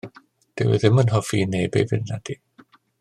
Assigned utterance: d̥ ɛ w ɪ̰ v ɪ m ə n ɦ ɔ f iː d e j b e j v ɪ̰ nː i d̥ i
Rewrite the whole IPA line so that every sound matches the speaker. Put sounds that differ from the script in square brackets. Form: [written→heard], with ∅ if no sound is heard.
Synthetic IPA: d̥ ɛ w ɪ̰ [v→ð] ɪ m ə n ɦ ɔ f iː [d→n] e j b e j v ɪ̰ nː [i→a] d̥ i